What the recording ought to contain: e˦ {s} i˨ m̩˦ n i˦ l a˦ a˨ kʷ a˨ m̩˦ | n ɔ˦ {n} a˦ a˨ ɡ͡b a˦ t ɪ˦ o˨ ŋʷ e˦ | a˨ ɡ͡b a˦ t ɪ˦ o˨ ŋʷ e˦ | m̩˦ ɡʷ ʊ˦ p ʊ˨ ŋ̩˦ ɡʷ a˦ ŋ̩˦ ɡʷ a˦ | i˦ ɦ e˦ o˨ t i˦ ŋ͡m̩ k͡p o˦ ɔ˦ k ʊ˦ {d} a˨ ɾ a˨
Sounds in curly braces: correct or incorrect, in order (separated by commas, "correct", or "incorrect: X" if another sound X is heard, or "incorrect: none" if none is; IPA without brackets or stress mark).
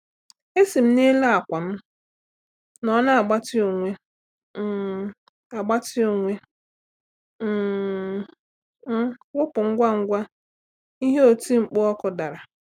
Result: correct, correct, correct